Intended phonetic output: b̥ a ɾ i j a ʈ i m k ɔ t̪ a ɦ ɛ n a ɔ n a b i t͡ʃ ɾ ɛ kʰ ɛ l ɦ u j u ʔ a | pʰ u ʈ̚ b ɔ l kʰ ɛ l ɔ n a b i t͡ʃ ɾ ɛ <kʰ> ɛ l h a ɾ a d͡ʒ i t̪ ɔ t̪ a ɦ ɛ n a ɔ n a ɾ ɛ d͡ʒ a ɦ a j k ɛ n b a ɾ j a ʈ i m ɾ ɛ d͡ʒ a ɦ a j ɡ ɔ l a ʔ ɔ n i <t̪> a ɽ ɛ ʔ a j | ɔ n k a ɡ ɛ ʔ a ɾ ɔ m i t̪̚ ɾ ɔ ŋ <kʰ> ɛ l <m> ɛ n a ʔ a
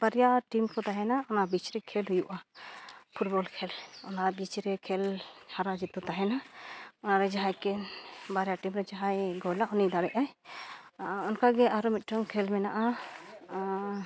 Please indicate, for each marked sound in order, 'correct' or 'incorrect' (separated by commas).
correct, incorrect, correct, correct